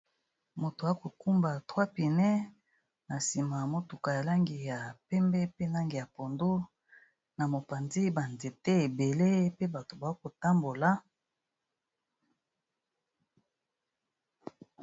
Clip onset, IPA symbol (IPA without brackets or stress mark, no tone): m